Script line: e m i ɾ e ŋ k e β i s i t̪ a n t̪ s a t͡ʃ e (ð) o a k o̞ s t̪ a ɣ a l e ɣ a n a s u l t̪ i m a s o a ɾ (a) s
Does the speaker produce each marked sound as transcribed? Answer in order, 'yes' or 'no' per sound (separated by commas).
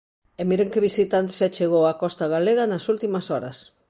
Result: no, yes